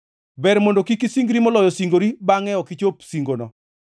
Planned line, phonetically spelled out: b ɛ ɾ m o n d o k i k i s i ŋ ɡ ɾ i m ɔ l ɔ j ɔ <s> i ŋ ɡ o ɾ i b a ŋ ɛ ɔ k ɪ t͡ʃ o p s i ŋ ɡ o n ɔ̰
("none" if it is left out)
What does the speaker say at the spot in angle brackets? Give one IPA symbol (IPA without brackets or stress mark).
s